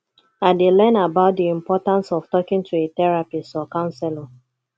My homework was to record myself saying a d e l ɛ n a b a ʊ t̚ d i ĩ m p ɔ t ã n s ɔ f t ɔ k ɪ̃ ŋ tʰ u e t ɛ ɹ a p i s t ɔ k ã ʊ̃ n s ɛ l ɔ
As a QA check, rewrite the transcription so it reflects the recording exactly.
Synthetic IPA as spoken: a d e l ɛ n a b a ʊ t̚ d i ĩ m p ɔ t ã n s ɔ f t ɔ k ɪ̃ ŋ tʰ u e t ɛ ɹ a p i s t ɔ k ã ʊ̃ n s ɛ l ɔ